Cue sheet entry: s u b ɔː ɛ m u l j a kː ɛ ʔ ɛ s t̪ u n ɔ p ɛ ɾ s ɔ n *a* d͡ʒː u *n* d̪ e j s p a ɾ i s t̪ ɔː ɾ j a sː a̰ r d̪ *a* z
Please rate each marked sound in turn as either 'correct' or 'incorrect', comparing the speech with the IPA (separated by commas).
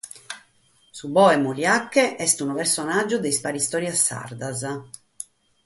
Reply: correct, incorrect, correct